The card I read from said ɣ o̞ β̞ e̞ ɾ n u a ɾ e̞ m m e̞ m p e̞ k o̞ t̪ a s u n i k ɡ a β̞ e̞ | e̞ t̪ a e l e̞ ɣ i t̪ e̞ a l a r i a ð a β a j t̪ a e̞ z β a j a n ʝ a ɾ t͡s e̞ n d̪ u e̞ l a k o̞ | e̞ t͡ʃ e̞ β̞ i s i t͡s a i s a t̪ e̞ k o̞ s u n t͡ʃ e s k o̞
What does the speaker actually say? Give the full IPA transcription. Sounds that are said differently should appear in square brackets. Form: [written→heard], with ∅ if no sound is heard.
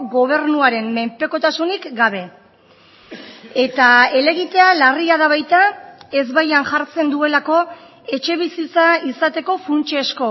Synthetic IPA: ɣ o̞ β̞ e̞ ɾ n u a ɾ e̞ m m e̞ m p e̞ k o̞ t̪ a s u n i k ɡ a β̞ e̞ | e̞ t̪ a e l e̞ ɣ i t̪ e̞ a l a r i a ð a β a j t̪ a e̞ z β a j a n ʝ a ɾ t͡s e̞ n d̪ u e̞ l a k o̞ | e̞ t͡ʃ e̞ β̞ i s i t͡s a i s a t̪ e̞ k o̞ [s→f] u n t͡ʃ e s k o̞

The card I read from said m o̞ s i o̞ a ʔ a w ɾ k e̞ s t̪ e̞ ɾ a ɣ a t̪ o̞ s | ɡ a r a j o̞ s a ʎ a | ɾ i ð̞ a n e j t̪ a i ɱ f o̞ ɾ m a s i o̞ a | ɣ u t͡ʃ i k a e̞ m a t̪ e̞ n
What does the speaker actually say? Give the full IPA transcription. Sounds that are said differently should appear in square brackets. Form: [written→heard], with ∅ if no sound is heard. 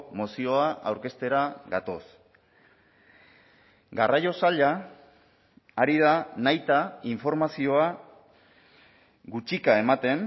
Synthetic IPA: m o̞ s i o̞ a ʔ a w ɾ k e̞ s t̪ e̞ ɾ a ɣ a t̪ o̞ s | ɡ a r a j o̞ s a ʎ a | ɾ i ð̞ a n [e→a] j t̪ a i ɱ f o̞ ɾ m a s i o̞ a | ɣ u t͡ʃ i k a e̞ m a t̪ e̞ n

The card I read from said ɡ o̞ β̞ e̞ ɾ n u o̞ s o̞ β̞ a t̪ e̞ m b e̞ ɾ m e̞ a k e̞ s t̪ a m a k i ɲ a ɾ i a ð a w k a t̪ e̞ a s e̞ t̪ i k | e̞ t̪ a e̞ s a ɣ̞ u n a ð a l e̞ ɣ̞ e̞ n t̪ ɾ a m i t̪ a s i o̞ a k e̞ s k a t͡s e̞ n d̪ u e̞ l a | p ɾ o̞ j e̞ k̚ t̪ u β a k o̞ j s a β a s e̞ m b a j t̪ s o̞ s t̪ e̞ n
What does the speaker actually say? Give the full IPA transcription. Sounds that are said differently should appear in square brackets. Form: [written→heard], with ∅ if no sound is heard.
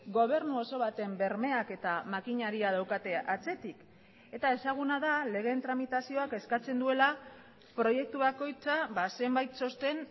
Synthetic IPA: ɡ o̞ β̞ e̞ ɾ n u o̞ s o̞ β̞ a t̪ e̞ m b e̞ ɾ m e̞ a k e̞ [s→∅] t̪ a m a k i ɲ a ɾ i a ð a w k a t̪ e̞ a [s→t͡s] e̞ t̪ i k | e̞ t̪ a e̞ s a ɣ̞ u n a ð a l e̞ ɣ̞ e̞ n t̪ ɾ a m i t̪ a s i o̞ a k e̞ s k a t͡s e̞ n d̪ u e̞ l a | p ɾ o̞ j e̞ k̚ t̪ u β a k o̞ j [s→t͡s] a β a s e̞ m b a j t̪ s o̞ s t̪ e̞ n

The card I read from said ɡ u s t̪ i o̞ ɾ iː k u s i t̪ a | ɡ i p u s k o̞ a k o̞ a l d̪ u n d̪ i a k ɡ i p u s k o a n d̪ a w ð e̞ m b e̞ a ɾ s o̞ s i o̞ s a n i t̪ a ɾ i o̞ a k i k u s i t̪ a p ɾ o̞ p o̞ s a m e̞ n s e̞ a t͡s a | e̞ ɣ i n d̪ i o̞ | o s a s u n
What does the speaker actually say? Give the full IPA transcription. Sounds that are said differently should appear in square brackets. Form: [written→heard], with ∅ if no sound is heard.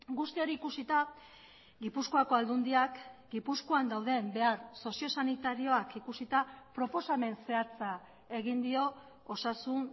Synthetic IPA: ɡ u s t̪ i o̞ ɾ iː k u s i t̪ a | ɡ i p u s k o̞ a k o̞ a l d̪ u n d̪ i a k ɡ i p u s k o a n d̪ a w ð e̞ m b e̞ a ɾ s o̞ s i o̞ s a n i t̪ a ɾ i o̞ a k i k u s i t̪ a p ɾ o̞ p o̞ s a m e̞ n s e̞ a t͡s a | e̞ ɣ i n d̪ i o̞ | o s a s u n

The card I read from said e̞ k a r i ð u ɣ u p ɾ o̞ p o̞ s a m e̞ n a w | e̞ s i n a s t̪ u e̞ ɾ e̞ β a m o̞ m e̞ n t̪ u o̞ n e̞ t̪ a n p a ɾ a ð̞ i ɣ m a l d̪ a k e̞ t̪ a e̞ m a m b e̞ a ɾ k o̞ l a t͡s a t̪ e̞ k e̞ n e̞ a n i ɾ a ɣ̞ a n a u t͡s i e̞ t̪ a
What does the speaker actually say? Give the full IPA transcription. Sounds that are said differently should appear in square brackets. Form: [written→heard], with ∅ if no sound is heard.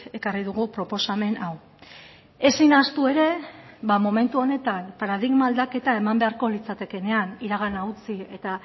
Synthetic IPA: e̞ k a r i ð u ɣ u p ɾ o̞ p o̞ s a m e̞ n a w | e̞ s i n a s t̪ u e̞ ɾ e̞ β a m o̞ m e̞ n t̪ u o̞ n e̞ t̪ a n p a ɾ a ð̞ i ɣ m a l d̪ a k e̞ t̪ a e̞ m a m b e̞ a ɾ k o̞ l [a→i] t͡s a t̪ e̞ k e̞ n e̞ a n i ɾ a ɣ̞ a n a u t͡s i e̞ t̪ a

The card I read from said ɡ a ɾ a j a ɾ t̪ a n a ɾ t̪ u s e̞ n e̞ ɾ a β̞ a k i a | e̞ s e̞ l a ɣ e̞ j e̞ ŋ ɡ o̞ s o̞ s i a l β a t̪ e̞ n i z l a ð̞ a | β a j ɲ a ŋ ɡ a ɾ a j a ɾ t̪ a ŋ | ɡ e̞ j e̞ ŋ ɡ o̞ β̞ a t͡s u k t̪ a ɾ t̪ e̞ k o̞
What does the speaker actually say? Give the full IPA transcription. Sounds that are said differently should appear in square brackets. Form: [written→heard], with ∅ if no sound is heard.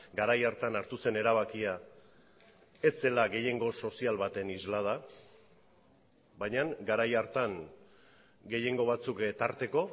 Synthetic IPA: ɡ a ɾ a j a ɾ t̪ a n a ɾ t̪ u s e̞ n e̞ ɾ a β̞ a k i a | e̞ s e̞ l a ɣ e̞ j e̞ ŋ ɡ o̞ s o̞ s i a l β a t̪ e̞ n i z l a ð̞ a | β a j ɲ a ŋ ɡ a ɾ a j a ɾ t̪ a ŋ | ɡ e̞ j e̞ ŋ ɡ o̞ β̞ a t͡s u k t̪ a ɾ t̪ e̞ k o̞

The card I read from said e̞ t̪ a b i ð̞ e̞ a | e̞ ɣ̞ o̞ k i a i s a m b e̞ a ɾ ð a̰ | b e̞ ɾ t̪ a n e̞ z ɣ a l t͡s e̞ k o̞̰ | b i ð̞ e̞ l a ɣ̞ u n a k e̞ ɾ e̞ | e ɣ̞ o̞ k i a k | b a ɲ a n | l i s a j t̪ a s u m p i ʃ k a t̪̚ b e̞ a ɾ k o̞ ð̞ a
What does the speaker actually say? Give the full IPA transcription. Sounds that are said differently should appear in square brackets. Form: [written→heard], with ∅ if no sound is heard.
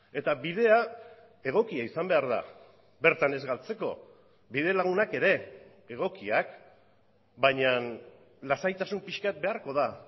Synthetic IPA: e̞ t̪ a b i ð̞ e̞ a | e̞ ɣ̞ o̞ k i a i s a m b e̞ a ɾ ð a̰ | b e̞ ɾ t̪ a n e̞ z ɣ a l t͡s e̞ k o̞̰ | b i ð̞ e̞ l a ɣ̞ u n a k e̞ ɾ e̞ | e ɣ̞ o̞ k i a k | b a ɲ a n | l [i→a] s a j t̪ a s u m p i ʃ k a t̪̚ b e̞ a ɾ k o̞ ð̞ a

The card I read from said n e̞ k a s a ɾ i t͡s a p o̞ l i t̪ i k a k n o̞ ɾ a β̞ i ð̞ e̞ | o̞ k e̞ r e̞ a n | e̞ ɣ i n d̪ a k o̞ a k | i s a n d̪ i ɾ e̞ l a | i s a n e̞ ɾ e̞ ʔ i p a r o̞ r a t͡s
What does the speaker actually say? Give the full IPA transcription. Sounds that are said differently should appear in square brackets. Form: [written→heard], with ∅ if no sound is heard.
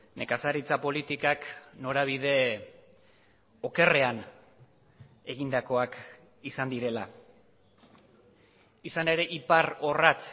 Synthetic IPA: n e̞ k a s a ɾ i t͡s a p o̞ l i t̪ i k a k n o̞ ɾ a β̞ i ð̞ e̞ | o̞ k e̞ r e̞ a n | e̞ ɣ i n d̪ a k o̞ a k | i s a n d̪ i ɾ e̞ l a | i s a n e̞ ɾ e̞ ʔ i p a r o̞ r a t͡s

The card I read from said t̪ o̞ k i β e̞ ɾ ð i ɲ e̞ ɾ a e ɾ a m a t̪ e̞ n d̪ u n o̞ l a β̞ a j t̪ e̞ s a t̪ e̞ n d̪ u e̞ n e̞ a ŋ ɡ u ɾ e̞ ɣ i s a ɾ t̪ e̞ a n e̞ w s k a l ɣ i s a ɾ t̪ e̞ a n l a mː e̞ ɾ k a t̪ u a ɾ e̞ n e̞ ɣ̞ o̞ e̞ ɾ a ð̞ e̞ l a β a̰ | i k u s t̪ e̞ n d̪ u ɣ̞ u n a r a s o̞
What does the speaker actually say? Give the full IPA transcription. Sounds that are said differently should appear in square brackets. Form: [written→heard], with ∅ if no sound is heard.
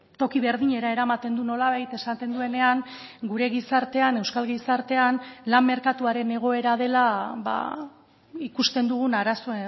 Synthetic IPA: t̪ o̞ k i β e̞ ɾ ð i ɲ e̞ ɾ a e ɾ a m a t̪ e̞ n d̪ u n o̞ l a β̞ a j t̪ e̞ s a t̪ e̞ n d̪ u e̞ n e̞ a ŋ ɡ u ɾ e̞ ɣ i s a ɾ t̪ e̞ a n e̞ w s k a l ɣ i s a ɾ t̪ e̞ a n l a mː e̞ ɾ k a t̪ u a ɾ e̞ n e̞ ɣ̞ o̞ e̞ ɾ a ð̞ e̞ l a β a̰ | i k u s t̪ e̞ n d̪ u ɣ̞ u n a [r→ɾ] a s o̞

